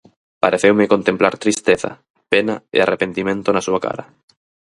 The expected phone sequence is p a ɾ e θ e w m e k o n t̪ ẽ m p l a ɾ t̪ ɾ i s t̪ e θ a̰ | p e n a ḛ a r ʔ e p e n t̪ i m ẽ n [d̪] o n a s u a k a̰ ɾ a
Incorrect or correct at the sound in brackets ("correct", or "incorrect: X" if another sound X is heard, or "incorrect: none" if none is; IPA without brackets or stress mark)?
incorrect: t̪